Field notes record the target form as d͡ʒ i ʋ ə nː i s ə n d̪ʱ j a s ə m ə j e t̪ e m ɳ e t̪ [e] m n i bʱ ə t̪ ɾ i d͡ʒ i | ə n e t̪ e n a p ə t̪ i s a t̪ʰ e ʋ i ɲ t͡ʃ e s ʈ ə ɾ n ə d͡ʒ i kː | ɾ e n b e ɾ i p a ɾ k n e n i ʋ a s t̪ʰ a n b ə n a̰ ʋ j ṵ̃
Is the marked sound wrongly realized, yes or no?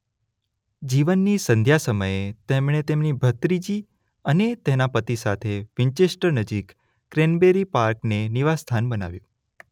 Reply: no